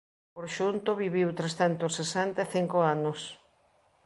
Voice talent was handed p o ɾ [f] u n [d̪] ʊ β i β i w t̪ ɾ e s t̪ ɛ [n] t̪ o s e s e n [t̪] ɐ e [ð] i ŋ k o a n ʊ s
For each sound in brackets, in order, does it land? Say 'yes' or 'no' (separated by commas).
no, no, yes, yes, no